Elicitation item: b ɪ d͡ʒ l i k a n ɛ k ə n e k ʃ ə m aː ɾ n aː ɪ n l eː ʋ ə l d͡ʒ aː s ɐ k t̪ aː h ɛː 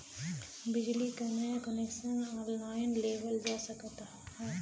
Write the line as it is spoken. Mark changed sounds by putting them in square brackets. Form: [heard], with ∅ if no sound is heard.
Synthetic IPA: b ɪ d͡ʒ l i k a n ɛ k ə n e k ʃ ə [n] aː ɾ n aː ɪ n l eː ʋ ə l d͡ʒ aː s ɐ k t̪ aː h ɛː